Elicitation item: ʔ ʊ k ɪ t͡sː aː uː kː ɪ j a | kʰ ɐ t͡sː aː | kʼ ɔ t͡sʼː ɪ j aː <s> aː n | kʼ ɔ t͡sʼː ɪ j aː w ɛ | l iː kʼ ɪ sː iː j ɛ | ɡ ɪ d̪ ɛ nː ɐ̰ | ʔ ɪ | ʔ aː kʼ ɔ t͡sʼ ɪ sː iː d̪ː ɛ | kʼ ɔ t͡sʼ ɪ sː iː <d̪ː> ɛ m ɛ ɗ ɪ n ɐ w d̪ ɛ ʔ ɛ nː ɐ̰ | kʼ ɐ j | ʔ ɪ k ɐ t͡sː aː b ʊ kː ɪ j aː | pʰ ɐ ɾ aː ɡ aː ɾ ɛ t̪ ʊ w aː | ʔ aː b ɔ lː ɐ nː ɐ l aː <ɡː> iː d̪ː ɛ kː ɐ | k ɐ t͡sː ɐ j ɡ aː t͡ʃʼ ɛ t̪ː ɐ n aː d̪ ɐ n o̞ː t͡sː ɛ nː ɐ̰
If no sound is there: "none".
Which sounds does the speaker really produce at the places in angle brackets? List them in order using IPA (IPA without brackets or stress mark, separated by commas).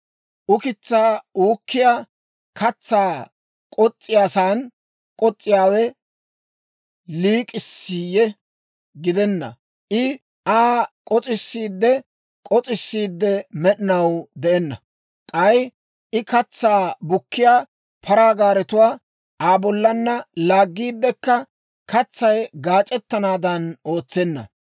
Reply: s, d̪ː, ɡː